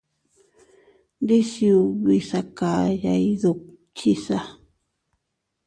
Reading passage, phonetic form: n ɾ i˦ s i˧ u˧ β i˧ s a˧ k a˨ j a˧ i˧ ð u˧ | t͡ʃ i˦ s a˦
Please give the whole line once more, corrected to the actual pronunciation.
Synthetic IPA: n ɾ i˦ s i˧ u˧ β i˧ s a˧ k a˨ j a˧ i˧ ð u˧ | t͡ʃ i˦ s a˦